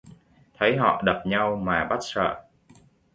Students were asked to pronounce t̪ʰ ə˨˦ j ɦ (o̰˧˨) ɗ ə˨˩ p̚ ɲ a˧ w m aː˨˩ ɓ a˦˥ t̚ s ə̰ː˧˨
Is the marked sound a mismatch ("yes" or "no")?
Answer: yes